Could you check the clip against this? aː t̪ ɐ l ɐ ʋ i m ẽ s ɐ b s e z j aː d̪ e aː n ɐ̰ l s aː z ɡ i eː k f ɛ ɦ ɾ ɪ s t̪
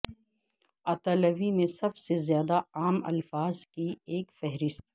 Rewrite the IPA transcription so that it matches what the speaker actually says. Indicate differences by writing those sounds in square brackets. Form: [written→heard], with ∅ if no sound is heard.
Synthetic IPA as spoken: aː t̪ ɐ l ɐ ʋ i m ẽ s ɐ b s e z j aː d̪ [e→a] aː [n→m] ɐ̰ l [s→f] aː z [ɡ→k] i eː k f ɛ ɦ ɾ ɪ s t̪